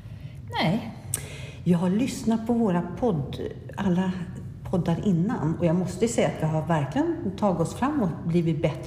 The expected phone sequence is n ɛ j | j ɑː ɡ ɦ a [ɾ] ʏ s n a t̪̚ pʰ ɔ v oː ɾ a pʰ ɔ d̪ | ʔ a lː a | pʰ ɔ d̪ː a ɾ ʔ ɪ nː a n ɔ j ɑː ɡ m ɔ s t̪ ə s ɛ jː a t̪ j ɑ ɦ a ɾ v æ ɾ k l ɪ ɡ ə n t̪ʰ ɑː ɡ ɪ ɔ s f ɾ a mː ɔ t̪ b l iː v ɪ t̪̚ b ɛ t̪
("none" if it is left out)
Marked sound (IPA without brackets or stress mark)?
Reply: ɭ